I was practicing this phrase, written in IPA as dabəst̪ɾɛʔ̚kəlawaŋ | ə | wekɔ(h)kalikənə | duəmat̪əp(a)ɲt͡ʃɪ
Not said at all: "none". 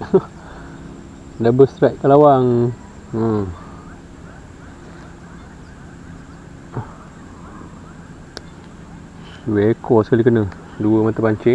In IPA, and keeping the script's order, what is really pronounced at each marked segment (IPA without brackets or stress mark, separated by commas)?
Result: s, a